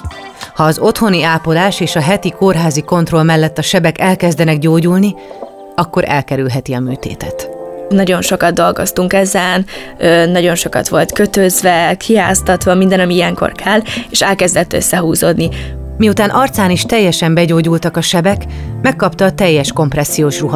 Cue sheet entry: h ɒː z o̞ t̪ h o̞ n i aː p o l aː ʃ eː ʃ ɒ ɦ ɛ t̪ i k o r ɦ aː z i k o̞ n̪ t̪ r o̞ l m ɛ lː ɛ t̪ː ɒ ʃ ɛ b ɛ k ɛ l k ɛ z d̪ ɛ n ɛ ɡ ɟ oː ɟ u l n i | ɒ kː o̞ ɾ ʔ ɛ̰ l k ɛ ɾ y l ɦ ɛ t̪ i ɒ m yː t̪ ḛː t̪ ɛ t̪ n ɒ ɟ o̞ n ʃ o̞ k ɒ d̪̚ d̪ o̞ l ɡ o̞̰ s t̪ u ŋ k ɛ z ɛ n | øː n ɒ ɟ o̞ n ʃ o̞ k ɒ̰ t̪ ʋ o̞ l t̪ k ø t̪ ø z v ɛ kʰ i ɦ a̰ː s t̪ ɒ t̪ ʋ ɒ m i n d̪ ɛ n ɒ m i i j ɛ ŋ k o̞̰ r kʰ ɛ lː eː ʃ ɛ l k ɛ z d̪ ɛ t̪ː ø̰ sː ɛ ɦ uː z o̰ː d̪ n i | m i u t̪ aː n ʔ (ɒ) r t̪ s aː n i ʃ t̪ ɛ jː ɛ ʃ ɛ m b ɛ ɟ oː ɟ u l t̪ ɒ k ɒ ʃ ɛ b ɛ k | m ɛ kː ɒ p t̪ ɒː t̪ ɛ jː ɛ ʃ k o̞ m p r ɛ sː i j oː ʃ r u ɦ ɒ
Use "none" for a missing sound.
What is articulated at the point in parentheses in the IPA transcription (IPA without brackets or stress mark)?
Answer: ɒ